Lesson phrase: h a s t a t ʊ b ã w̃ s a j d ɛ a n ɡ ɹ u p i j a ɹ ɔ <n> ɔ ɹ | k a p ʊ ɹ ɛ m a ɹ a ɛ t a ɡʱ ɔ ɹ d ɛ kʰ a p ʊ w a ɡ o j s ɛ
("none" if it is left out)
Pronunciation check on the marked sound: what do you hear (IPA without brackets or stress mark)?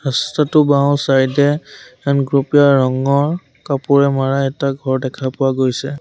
ŋ